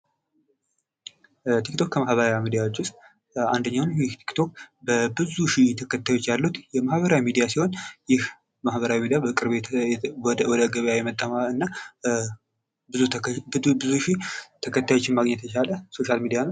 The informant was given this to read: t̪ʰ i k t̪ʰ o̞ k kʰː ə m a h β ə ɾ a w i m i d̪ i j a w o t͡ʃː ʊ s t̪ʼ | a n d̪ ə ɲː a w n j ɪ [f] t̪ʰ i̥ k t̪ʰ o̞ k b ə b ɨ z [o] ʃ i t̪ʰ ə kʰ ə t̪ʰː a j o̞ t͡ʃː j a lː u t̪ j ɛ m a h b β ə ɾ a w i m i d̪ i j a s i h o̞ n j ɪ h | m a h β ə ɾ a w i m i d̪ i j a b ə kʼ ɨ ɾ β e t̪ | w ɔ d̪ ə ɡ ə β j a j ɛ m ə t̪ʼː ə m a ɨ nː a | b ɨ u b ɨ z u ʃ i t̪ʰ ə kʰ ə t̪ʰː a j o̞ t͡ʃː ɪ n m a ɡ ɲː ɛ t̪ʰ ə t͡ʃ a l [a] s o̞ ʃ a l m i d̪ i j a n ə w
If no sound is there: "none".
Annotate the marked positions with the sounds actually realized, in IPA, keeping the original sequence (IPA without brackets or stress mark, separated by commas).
h, u, ə